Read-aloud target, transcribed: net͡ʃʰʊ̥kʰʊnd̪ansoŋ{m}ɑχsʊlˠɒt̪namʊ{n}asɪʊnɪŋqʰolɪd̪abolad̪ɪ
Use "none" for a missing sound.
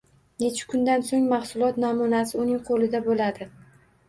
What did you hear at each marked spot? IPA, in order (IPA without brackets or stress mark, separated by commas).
m, n